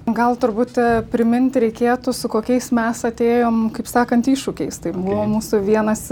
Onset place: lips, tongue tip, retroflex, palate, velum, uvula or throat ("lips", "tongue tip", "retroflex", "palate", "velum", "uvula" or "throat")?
velum